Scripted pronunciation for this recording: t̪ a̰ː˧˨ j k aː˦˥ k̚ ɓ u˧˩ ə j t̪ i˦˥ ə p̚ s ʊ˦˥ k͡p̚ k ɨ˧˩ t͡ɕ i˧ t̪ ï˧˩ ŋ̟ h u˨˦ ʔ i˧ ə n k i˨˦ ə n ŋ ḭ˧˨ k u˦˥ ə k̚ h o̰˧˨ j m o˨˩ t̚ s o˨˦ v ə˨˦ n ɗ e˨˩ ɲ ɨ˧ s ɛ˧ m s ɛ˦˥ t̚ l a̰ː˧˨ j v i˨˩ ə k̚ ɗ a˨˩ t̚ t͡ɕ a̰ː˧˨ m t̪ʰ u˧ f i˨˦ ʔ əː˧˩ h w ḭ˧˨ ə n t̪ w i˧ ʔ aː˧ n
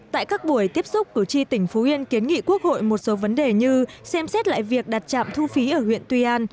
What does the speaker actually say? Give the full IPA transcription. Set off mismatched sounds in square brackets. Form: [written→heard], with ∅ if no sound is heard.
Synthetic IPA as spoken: t̪ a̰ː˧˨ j k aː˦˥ k̚ ɓ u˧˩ ə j t̪ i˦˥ ə p̚ s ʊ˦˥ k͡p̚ k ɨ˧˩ t͡ɕ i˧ t̪ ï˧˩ ŋ̟ [h→f] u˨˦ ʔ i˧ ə n k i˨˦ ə n ŋ ḭ˧˨ k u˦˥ ə k̚ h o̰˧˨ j m o˨˩ t̚ s o˨˦ v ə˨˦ n ɗ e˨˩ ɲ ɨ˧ s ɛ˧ m s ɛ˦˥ t̚ l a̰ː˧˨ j v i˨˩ ə k̚ ɗ a˨˩ t̚ t͡ɕ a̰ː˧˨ m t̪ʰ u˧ f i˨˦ ʔ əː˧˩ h w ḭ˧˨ ə n t̪ w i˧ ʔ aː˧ n